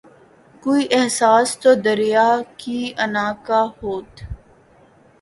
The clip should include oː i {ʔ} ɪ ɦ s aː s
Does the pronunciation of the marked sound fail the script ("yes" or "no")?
no